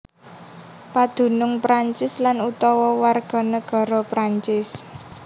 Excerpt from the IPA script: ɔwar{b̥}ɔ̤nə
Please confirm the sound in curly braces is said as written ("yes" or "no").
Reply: no